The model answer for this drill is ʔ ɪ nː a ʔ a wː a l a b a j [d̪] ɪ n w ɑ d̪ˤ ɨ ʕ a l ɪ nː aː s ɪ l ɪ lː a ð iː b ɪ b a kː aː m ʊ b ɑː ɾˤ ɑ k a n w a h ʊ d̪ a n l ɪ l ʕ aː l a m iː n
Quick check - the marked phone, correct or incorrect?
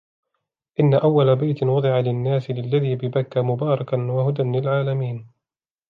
incorrect